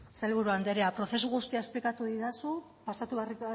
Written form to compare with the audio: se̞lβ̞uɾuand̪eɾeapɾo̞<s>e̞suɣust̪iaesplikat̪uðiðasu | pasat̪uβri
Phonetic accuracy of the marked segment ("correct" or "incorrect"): incorrect